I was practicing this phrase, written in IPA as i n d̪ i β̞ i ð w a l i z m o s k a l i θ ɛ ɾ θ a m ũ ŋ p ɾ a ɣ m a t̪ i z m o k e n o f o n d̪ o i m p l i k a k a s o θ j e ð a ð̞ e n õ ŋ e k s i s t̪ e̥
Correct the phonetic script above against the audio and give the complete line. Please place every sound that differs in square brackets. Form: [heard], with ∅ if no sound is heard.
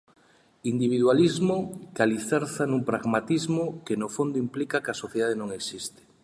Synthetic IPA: i n d̪ i β̞ i ð w a l i z m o [∅] k a l i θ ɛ ɾ θ a [n] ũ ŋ p ɾ a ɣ m a t̪ i z m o k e n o f o n d̪ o i m p l i k a k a s o θ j e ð a ð̞ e n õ ŋ e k s i s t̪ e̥